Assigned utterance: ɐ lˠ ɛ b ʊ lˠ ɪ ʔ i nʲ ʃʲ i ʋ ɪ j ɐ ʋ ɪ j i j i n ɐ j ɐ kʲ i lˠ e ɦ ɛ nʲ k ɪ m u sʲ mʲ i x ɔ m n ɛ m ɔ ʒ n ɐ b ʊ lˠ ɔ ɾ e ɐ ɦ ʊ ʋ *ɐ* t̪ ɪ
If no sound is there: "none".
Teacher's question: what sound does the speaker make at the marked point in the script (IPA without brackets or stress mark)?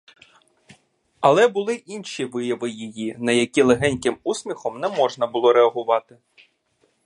ɑ